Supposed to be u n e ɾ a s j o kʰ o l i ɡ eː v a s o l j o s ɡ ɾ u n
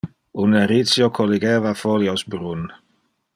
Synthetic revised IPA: u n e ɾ i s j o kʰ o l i ɡ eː v a f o l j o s b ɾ u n